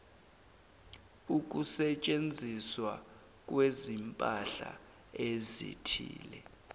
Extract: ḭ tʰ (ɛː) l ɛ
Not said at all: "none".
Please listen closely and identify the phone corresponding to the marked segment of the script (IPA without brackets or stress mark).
iː